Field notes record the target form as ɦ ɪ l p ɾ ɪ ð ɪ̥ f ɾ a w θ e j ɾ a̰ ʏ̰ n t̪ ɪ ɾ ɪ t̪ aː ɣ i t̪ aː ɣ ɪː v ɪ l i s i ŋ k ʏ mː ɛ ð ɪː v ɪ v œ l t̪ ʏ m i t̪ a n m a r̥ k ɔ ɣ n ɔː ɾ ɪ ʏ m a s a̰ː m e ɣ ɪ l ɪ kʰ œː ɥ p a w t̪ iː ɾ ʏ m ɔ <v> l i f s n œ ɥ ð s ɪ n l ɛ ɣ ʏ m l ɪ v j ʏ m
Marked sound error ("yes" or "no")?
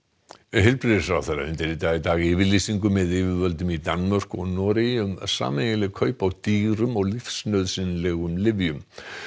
yes